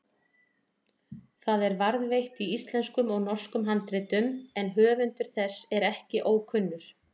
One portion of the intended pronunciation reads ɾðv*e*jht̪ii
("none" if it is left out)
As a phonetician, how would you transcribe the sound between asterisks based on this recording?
e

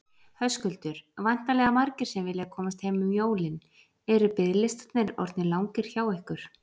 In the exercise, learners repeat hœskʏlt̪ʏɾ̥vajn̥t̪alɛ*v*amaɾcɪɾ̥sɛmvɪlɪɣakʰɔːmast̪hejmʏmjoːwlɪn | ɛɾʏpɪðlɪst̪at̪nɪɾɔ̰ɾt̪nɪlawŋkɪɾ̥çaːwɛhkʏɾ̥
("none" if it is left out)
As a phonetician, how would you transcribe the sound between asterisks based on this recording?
ɣ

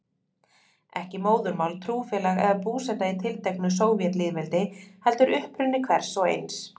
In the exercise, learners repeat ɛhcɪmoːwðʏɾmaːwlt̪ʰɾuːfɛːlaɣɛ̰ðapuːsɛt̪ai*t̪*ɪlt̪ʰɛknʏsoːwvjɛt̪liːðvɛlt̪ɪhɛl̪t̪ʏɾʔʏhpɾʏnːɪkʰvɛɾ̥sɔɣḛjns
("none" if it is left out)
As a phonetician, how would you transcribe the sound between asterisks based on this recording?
t̪ʰ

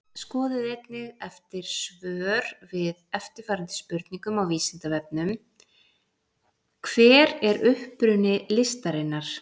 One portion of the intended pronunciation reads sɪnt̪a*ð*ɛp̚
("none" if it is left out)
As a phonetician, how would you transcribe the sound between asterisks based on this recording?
v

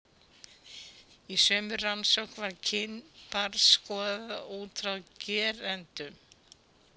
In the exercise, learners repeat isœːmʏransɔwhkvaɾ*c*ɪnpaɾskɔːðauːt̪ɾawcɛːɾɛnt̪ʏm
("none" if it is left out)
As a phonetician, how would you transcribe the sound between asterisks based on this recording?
cʰ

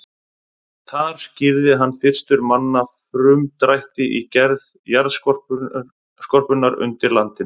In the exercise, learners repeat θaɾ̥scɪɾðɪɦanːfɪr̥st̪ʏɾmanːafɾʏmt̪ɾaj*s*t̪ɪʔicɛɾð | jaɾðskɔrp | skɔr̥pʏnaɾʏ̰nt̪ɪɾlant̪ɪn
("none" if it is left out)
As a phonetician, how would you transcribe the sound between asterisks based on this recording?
h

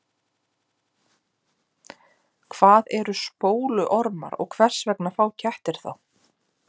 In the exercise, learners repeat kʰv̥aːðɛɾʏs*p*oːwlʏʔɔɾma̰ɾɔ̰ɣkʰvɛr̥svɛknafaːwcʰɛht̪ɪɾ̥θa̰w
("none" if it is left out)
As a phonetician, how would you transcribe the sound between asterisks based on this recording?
p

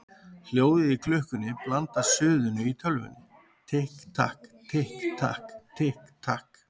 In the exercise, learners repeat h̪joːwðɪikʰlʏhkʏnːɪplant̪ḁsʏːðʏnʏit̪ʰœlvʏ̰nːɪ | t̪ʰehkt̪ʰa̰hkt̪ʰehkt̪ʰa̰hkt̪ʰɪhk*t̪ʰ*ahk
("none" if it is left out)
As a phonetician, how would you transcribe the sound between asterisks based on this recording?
t̪ʰ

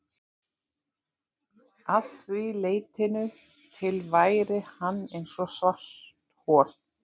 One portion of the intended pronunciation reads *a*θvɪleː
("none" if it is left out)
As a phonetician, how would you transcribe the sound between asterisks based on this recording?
a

